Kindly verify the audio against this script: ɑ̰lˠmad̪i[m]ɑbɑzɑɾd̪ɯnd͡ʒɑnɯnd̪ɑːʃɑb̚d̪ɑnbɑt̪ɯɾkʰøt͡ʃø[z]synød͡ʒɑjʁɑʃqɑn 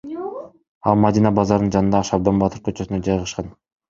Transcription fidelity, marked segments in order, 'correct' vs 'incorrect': incorrect: n, incorrect: none

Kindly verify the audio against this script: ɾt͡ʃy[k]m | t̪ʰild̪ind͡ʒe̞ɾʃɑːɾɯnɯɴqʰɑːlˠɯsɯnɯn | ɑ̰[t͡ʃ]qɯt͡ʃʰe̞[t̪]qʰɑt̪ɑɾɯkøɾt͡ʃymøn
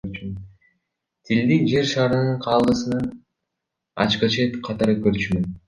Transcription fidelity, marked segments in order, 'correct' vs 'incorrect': incorrect: none, correct, correct

